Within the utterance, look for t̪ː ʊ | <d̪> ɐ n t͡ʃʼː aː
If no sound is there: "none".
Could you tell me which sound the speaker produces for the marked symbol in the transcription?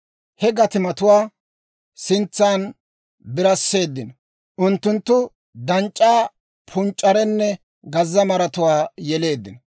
d̪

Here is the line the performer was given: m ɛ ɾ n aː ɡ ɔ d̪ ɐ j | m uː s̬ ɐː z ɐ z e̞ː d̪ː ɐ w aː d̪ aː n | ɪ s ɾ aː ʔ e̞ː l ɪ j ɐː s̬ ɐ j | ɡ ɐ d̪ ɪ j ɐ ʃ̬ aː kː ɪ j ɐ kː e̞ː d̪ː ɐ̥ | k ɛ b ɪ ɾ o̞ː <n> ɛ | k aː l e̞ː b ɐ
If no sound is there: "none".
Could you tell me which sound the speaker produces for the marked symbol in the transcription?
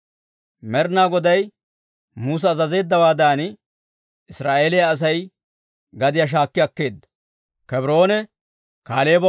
n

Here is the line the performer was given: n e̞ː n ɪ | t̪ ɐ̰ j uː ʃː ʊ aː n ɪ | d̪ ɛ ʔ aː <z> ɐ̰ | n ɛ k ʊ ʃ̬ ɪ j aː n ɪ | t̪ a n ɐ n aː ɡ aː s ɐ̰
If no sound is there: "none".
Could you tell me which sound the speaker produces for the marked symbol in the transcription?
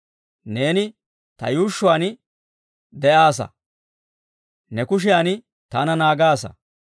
s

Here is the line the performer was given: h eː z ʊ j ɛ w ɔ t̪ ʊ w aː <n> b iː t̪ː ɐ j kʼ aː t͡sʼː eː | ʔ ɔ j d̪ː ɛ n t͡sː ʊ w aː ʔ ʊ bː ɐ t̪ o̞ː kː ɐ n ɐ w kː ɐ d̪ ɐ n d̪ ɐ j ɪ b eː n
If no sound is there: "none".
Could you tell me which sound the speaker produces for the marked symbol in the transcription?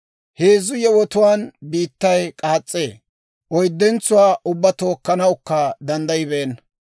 n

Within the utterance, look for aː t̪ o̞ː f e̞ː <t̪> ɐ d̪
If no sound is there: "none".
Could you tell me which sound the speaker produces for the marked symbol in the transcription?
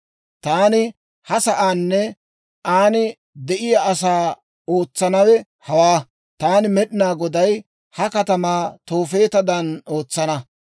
t̪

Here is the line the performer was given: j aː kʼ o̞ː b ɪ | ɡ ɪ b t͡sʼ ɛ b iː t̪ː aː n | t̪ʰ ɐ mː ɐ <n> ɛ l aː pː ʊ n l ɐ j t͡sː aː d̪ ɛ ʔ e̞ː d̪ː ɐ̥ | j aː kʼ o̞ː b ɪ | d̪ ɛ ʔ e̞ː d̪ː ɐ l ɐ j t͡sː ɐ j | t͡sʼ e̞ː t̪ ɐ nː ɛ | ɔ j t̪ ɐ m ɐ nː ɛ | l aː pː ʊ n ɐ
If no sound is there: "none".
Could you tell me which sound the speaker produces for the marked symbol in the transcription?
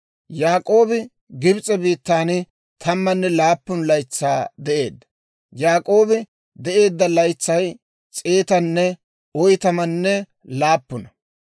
nː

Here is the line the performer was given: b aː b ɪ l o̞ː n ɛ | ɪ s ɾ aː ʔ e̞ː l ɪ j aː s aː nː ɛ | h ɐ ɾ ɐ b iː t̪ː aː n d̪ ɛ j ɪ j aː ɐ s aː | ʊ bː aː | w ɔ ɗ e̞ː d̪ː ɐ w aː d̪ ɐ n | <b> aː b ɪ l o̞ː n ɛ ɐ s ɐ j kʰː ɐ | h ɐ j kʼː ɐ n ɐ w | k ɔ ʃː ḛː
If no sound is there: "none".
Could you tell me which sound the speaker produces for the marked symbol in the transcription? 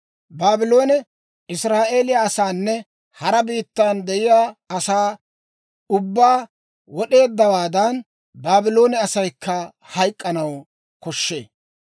b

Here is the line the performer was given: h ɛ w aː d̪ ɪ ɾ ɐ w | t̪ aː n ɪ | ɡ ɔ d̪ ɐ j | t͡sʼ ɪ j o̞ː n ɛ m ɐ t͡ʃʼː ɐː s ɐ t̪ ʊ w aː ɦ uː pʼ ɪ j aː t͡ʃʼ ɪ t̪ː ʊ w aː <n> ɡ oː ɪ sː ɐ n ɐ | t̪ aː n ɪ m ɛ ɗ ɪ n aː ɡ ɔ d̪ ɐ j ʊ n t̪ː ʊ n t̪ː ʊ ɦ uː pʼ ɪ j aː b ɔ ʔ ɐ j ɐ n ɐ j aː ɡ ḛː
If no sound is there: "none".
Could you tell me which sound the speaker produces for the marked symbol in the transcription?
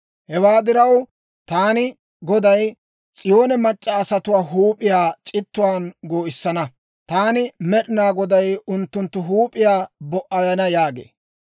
n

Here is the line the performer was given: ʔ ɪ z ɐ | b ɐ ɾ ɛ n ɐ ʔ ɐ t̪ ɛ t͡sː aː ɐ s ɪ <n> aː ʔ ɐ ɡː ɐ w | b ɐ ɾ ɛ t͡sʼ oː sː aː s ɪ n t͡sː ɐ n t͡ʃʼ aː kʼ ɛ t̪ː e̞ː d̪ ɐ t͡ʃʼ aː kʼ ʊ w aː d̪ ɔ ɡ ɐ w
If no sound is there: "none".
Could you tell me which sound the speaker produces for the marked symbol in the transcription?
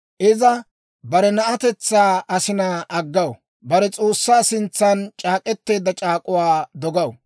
n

